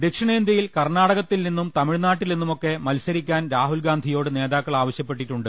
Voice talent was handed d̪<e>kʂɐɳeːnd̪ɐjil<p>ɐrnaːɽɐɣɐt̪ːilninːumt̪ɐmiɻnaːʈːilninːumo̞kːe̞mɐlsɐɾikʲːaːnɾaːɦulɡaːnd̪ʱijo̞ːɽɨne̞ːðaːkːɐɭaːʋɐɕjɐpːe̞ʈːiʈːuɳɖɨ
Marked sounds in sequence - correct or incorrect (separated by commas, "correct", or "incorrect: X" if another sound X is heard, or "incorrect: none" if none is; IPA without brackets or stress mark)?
correct, incorrect: k